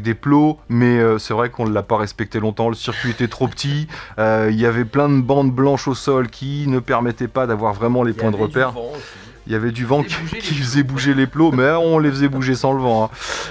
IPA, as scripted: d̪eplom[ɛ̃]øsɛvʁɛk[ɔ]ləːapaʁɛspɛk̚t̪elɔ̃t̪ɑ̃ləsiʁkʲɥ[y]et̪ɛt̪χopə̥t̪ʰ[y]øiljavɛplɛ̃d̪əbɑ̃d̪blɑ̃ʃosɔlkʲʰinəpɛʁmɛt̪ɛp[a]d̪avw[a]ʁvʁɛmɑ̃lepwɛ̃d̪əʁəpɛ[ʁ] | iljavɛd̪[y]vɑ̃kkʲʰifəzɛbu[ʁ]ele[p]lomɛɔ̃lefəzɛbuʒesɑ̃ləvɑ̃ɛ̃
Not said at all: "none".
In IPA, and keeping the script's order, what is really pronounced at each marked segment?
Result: ɛ, ɔ̃, i, i, a, a, ʁ, y, ʒ, p

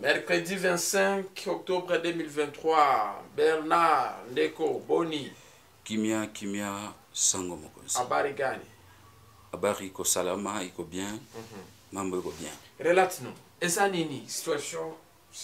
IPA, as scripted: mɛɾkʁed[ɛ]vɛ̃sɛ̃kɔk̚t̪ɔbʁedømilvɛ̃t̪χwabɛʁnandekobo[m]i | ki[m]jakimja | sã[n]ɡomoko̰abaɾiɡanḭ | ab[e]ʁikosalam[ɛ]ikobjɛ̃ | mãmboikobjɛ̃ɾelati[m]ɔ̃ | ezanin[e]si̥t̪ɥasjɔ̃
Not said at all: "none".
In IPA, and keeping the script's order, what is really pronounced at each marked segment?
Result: i, n, m, ŋ, a, a, n, i

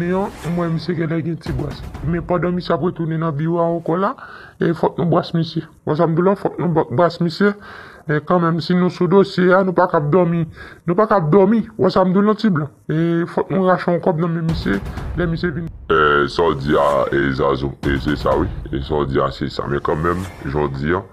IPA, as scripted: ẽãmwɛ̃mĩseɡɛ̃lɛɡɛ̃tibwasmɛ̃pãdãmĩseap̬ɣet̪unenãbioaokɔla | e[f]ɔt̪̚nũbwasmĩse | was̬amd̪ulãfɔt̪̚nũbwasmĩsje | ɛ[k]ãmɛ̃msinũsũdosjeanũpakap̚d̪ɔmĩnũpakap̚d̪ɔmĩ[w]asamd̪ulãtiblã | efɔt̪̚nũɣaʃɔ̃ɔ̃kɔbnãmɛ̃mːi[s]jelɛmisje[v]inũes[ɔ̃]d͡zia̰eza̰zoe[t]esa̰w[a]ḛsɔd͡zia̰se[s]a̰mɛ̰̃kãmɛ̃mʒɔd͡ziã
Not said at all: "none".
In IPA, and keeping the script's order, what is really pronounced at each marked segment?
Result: f, k, w, s, v, ɔ, s, i, s

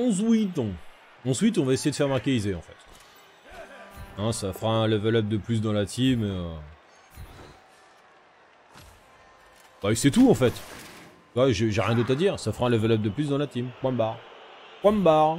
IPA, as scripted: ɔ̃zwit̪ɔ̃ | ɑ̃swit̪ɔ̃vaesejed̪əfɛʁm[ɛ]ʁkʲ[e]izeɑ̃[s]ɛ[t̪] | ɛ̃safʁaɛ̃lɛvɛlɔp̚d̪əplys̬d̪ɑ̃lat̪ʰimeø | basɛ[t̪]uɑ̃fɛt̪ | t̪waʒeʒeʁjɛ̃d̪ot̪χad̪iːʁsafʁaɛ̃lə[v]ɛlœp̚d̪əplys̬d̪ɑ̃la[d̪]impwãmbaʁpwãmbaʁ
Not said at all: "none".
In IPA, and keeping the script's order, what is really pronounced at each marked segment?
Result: a, e, f, t̪, t̪, v, t̪

